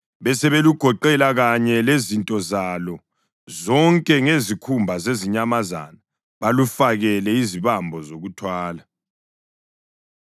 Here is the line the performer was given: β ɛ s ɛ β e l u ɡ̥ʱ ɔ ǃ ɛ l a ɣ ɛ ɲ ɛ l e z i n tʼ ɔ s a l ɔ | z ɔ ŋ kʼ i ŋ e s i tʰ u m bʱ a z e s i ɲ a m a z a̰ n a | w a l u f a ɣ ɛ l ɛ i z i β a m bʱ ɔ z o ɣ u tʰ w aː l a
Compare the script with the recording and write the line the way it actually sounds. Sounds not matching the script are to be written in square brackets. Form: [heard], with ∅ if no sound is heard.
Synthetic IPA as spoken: β ɛ s ɛ β e l u ɡ̥ʱ ɔ ǃ ɛ l a ɣ [a] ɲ ɛ l e z i n tʼ ɔ [z] a l ɔ | z ɔ ŋ kʼ [ɛ] ŋ e [z] i [kʰ] u m bʱ a z e [z] i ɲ a m a z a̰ n a | [β] a l u f a ɣ ɛ l ɛ i z i β a m bʱ ɔ z o ɣ u tʰ w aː l a

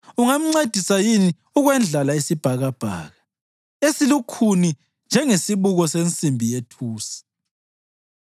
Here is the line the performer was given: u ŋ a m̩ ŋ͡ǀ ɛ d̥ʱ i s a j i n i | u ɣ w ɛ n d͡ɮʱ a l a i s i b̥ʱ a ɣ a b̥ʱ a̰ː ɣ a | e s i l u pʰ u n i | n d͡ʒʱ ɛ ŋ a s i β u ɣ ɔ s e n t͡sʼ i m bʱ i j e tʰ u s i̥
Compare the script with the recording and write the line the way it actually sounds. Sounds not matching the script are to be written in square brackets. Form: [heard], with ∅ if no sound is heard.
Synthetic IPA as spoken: u ŋ a m̩ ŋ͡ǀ [e] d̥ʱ i s a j i n i | u ɣ w ɛ n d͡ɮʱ a l a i s i b̥ʱ a ɣ a b̥ʱ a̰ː ɣ a | e s i l u [kʰ] u n i | n d͡ʒʱ ɛ ŋ [e] s i β u ɣ ɔ s e n t͡sʼ i m bʱ i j e tʰ [uː] s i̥

